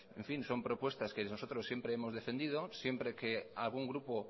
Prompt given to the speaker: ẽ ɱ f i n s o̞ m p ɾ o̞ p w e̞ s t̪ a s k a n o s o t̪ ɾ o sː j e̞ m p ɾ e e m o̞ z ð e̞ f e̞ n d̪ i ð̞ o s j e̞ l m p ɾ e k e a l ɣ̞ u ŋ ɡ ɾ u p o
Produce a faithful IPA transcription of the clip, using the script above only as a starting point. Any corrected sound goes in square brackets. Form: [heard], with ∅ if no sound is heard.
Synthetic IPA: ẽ ɱ f i n s o̞ m p ɾ o̞ p w e̞ s t̪ a s k [e] n o s o t̪ ɾ o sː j e̞ m p ɾ e e m o̞ z ð e̞ f e̞ n d̪ i ð̞ o s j e̞ [∅] m p ɾ e k e a l ɣ̞ u ŋ ɡ ɾ u p o